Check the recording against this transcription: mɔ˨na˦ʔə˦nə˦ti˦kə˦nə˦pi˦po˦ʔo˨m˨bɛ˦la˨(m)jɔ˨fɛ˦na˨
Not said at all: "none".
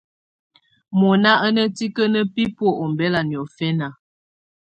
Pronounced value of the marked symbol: n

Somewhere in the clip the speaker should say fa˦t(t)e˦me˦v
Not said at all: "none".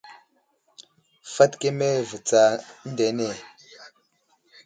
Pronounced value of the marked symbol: k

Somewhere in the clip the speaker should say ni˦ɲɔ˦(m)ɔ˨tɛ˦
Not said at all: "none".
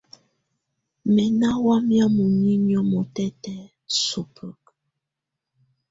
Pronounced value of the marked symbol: m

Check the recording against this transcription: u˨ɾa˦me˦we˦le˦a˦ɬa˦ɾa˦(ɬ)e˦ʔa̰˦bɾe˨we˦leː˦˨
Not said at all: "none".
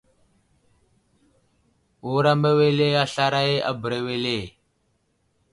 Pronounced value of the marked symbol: none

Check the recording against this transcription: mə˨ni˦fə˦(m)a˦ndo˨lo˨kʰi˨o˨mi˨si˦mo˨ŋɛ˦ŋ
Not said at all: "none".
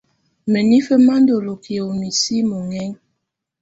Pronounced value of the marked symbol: m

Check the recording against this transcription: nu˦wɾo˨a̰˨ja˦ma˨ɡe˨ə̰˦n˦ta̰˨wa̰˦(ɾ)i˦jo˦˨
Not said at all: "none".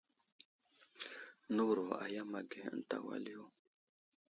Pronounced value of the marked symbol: l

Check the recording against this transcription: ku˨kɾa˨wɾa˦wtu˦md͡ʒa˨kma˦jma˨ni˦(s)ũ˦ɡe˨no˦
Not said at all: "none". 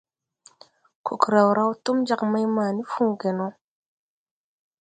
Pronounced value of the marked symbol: f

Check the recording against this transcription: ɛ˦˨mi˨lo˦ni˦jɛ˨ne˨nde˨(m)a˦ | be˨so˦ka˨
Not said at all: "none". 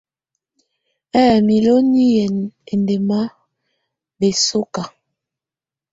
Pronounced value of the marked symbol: m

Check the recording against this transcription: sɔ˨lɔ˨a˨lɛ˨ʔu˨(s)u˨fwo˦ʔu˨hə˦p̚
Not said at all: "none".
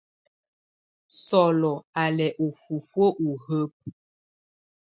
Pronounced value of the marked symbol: f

